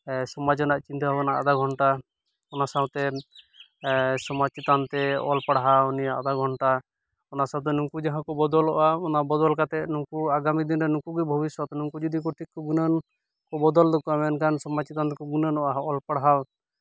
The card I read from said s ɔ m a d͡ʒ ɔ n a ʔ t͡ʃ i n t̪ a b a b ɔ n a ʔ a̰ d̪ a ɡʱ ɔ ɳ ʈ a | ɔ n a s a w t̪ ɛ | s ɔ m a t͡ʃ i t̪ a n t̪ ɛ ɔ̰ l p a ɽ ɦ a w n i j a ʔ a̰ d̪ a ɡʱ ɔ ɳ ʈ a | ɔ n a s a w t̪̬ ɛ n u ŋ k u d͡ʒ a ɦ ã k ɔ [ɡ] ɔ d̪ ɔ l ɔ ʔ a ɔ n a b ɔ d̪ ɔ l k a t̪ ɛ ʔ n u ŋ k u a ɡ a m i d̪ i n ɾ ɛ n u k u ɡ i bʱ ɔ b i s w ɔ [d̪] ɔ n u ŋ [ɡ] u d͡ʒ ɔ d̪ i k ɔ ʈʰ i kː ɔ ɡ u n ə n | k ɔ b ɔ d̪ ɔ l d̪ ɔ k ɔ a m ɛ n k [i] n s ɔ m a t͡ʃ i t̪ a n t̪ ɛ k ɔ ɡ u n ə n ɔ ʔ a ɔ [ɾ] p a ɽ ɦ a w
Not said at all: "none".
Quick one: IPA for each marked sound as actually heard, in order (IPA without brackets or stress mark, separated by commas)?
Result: b, t̪, k, a, l